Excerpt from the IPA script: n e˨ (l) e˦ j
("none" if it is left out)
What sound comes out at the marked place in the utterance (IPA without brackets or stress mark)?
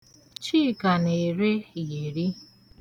ɾ